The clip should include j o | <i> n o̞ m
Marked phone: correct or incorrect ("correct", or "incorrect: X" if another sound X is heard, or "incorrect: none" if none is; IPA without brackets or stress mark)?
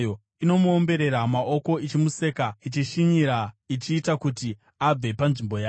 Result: correct